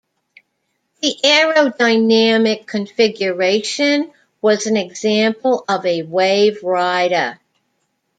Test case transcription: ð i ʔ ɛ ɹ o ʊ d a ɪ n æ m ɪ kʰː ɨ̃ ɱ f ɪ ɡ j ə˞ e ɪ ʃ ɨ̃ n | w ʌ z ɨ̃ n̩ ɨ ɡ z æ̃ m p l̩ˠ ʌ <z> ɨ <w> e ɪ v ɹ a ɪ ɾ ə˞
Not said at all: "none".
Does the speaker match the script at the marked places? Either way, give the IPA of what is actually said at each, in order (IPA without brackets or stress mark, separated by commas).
v, w